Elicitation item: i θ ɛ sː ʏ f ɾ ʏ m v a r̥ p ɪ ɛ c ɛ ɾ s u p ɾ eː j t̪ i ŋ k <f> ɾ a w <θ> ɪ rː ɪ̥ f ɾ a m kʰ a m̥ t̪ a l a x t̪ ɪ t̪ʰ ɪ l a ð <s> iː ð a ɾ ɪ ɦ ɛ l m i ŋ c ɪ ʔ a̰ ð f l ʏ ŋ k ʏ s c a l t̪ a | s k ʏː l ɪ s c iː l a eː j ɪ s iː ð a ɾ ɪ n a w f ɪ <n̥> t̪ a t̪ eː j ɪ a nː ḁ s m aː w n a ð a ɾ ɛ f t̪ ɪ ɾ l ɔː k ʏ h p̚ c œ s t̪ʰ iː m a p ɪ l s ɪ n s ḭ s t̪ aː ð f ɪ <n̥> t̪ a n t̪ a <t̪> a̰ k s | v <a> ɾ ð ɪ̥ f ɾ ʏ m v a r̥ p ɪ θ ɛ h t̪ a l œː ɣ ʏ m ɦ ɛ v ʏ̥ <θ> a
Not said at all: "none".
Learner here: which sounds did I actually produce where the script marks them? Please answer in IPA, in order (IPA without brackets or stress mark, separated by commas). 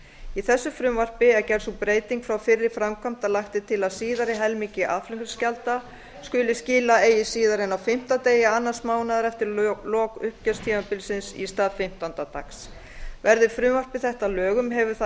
f, f, s, m̥, m̥, t̪, ɛ, θ